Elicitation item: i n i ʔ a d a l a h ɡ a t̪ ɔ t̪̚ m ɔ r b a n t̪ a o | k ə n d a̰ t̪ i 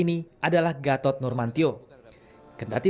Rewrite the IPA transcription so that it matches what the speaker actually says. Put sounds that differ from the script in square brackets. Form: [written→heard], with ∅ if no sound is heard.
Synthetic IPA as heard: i n i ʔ a d a l a h ɡ a t̪ ɔ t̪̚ [m→n] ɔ r [b→m] a n t̪ [a→i] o | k ə n d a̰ t̪ i